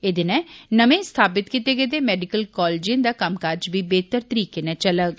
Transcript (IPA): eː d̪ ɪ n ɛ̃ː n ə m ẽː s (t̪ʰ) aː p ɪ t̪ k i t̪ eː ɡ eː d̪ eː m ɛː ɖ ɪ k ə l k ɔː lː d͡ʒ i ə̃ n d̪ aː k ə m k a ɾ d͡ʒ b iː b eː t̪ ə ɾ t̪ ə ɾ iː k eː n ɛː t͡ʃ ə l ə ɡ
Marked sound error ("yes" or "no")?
no